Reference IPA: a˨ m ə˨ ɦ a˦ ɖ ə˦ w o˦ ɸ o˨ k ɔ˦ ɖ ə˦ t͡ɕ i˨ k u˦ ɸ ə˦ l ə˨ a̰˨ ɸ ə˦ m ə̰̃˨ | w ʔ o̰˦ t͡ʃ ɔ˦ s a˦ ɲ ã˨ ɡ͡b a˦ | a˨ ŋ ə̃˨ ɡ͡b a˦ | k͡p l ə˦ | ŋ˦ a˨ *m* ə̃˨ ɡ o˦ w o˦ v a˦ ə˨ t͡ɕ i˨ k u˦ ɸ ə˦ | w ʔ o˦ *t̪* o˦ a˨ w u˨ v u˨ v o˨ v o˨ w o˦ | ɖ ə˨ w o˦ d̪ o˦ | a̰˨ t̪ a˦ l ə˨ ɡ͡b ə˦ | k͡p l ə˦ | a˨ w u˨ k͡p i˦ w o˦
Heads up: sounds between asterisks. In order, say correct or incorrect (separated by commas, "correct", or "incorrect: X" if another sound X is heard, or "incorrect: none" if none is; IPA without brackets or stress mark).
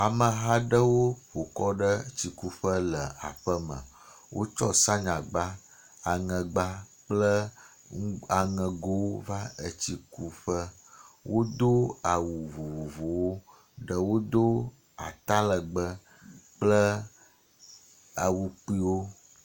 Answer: incorrect: ŋ, incorrect: d̪